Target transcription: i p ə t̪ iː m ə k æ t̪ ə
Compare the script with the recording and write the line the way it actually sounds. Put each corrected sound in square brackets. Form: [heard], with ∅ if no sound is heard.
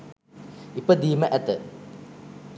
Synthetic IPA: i p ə [d̪] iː m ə [ʔ] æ t̪ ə